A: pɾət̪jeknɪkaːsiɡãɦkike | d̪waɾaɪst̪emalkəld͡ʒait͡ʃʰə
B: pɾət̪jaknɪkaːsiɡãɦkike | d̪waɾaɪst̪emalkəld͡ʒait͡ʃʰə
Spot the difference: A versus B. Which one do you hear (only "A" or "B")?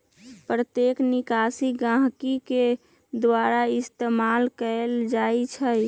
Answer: A